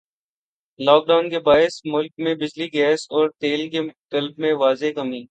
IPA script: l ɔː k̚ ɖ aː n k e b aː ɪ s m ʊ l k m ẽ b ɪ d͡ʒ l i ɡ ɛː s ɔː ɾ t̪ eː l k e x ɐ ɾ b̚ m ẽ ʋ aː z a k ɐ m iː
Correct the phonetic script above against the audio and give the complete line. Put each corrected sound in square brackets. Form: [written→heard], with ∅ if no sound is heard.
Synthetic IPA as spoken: l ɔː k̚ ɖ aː n k e b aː ɪ s m ʊ l k m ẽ b ɪ d͡ʒ l i ɡ ɛː s ɔː ɾ t̪ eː l k e [x→k] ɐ [ɾ→l] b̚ m ẽ ʋ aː z [a→e] k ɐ m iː